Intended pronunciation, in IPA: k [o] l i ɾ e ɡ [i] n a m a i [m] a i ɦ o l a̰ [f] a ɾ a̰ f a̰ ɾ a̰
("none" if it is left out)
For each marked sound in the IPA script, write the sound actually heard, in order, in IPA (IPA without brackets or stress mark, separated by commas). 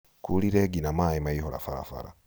u, i, m, f